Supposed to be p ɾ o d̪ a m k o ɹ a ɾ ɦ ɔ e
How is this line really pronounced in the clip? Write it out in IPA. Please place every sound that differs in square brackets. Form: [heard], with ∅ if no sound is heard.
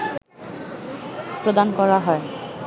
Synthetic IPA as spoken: p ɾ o d̪ a [n] k [ɔ] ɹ a [∅] ɦ ɔ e